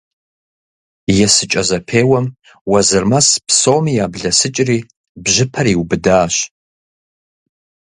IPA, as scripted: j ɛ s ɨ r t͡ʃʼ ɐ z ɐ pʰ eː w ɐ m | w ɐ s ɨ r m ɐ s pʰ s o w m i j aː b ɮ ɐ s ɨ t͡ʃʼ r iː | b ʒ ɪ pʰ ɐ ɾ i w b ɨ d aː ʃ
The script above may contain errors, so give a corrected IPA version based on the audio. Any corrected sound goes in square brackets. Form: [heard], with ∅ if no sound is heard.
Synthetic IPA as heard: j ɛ s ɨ [∅] t͡ʃʼ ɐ z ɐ pʰ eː w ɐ m | w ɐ [z] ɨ r m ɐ s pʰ s o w m i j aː b ɮ ɐ s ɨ t͡ʃʼ r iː | b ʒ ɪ pʰ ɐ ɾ i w b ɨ d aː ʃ